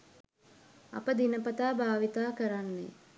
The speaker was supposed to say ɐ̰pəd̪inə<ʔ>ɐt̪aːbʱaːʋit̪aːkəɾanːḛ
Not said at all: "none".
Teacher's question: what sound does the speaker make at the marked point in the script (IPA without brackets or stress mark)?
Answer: p